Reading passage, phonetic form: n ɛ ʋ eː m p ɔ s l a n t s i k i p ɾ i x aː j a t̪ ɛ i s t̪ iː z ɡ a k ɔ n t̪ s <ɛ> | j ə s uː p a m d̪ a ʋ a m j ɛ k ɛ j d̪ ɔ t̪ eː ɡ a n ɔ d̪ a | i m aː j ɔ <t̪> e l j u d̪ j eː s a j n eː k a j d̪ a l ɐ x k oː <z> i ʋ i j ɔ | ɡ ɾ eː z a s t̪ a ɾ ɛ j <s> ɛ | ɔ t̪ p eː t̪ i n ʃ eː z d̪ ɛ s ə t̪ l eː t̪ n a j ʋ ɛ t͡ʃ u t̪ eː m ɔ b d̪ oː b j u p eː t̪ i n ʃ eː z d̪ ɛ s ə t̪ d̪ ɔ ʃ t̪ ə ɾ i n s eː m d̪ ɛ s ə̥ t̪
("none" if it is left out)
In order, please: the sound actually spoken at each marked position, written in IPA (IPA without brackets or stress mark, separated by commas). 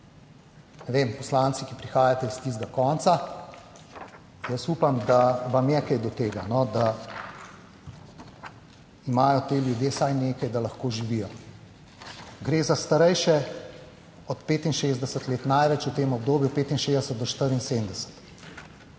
a, t̪, ʒ, ʃ